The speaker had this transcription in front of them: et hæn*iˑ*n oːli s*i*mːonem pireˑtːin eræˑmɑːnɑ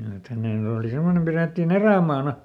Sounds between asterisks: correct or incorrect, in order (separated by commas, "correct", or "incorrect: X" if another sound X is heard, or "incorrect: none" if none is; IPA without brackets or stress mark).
incorrect: eˑ, incorrect: e